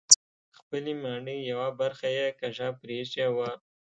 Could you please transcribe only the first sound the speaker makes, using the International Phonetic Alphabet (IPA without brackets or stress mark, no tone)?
x